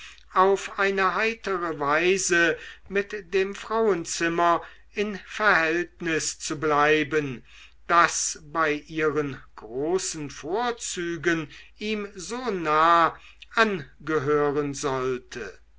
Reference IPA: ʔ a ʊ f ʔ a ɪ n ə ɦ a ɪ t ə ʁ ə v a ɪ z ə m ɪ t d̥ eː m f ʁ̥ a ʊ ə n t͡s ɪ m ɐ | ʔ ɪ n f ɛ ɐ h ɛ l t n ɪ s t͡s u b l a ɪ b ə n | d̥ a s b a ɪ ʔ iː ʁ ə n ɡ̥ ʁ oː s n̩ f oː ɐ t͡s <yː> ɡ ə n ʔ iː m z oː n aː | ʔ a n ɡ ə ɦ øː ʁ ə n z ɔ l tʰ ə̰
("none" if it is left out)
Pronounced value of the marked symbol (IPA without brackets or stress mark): yː